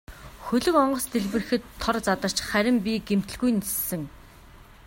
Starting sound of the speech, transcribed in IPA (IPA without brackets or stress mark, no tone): x